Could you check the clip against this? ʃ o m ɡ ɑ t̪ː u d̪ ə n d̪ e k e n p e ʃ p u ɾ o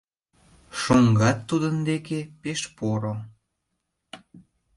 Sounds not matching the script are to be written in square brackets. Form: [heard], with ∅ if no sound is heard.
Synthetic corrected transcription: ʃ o [ŋ] ɡ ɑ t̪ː u d̪ ə n d̪ e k e [∅] p e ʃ p [o] ɾ o

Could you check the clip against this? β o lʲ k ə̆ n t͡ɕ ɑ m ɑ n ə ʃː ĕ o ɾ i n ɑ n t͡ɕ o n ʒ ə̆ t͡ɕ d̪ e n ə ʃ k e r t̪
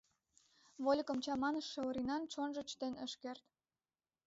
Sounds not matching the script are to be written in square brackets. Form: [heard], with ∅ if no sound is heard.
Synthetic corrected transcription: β o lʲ k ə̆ [m] t͡ɕ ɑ m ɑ n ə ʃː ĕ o ɾ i n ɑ n t͡ɕ o n ʒ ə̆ t͡ɕ [t̪] e n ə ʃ k e r t̪

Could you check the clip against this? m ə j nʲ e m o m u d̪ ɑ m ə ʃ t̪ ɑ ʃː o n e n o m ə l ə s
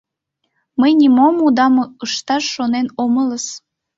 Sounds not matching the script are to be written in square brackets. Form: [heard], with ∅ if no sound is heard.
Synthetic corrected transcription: m ə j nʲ [i] m o m u d̪ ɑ m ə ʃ t̪ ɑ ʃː o n e n o m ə l ə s

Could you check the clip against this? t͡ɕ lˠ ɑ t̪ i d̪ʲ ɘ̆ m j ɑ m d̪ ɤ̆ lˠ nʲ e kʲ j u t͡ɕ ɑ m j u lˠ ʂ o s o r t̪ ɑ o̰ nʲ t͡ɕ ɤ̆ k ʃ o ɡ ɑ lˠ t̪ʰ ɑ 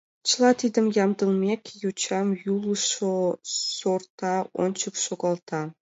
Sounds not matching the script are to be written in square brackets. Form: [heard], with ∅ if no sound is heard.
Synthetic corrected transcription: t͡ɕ lˠ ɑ t̪ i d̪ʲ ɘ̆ m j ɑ m d̪ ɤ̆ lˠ [mʲ] e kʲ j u t͡ɕ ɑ m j u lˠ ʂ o s o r t̪ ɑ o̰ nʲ t͡ɕ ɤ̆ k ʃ o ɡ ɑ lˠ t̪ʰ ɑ

